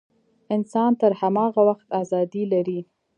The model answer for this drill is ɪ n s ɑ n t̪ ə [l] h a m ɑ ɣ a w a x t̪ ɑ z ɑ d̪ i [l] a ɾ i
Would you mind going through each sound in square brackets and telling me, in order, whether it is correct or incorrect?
incorrect, correct

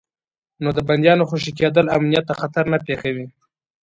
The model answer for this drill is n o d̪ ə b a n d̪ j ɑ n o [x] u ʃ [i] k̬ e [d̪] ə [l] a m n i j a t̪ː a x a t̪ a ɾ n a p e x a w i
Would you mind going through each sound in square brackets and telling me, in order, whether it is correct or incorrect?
correct, correct, correct, correct

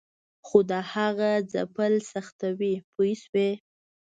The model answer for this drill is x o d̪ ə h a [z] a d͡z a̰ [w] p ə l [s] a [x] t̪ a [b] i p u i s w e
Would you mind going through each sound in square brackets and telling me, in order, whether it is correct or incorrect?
incorrect, incorrect, correct, correct, incorrect

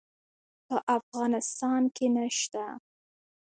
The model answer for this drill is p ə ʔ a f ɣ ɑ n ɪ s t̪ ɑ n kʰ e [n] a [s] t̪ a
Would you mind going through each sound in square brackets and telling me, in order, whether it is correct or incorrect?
correct, incorrect

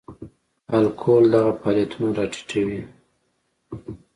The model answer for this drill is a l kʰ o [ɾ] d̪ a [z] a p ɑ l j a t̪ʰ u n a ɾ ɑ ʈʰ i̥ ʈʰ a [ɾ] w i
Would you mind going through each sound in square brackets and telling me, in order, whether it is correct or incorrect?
incorrect, incorrect, incorrect

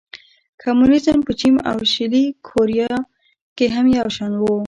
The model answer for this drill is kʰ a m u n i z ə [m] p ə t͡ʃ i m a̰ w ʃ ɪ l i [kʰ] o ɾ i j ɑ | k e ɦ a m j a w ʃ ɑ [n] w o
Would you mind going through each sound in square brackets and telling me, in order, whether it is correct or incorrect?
correct, correct, correct

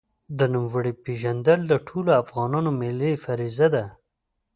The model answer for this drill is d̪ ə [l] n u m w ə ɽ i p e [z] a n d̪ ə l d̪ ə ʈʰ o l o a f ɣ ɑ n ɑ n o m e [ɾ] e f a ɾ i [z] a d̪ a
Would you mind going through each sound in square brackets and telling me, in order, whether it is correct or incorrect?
incorrect, incorrect, incorrect, correct

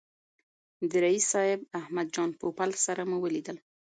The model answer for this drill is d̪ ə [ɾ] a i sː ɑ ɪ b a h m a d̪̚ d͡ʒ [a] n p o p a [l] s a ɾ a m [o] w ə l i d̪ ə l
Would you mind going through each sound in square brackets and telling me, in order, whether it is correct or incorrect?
correct, incorrect, correct, incorrect

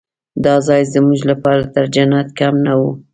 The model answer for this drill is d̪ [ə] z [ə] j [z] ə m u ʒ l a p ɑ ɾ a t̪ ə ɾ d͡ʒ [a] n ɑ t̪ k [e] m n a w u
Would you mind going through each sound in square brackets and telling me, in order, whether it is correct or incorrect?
incorrect, incorrect, correct, correct, incorrect

